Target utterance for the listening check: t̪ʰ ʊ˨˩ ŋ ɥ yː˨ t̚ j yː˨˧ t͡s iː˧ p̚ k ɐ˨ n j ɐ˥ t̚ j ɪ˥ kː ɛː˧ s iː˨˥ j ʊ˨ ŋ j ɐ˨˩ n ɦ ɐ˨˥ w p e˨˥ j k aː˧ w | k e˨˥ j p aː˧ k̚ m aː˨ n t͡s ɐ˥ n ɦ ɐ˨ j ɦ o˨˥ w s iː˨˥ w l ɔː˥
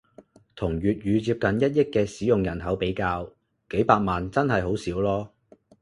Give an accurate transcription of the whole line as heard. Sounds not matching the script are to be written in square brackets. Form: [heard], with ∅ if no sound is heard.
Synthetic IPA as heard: t̪ʰ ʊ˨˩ ŋ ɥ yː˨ t̚ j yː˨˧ t͡s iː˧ p̚ k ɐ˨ n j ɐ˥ t̚ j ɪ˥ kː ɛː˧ s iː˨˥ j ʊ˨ ŋ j ɐ˨˩ n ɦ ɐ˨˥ w p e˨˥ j k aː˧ w | k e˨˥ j p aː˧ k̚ m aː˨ n t͡s ɐ˥ n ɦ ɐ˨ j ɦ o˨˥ w s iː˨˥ w l ɔː˥